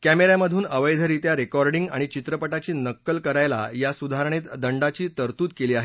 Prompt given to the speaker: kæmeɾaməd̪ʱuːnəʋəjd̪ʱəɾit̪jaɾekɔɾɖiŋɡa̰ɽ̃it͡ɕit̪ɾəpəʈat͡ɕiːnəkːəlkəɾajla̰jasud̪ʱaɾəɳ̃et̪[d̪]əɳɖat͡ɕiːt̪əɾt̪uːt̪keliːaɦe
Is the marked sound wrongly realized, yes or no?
no